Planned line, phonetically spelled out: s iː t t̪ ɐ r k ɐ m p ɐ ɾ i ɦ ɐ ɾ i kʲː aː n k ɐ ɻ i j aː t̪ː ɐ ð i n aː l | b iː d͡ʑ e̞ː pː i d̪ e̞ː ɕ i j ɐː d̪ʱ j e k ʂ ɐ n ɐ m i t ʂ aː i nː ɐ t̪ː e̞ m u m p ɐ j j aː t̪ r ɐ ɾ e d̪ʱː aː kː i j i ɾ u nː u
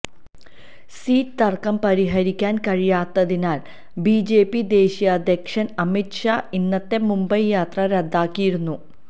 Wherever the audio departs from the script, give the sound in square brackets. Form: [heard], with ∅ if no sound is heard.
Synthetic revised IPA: s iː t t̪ ɐ r k ɐ m p ɐ ɾ i ɦ ɐ ɾ i kʲː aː n k ɐ ɻ i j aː t̪ː ɐ ð i n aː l | b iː d͡ʑ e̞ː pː i d̪ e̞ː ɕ i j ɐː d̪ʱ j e k ʂ ɐ n ɐ m i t ʂ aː i nː ɐ t̪ː e̞ m u m [b] ɐ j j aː t̪ r ɐ ɾ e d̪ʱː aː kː i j i ɾ u nː u